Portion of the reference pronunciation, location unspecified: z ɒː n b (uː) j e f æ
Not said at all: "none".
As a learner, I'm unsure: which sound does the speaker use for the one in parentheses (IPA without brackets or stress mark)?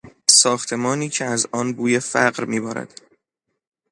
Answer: uː